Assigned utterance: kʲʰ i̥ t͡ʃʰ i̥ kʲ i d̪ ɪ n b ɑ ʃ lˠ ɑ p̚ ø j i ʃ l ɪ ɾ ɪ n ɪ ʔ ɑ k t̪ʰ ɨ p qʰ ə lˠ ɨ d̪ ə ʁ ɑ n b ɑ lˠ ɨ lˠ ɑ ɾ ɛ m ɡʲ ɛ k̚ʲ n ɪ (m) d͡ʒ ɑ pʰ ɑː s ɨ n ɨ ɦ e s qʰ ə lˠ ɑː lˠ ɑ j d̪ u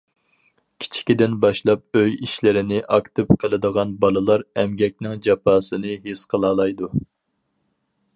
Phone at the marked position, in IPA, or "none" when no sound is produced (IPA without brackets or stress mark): ŋ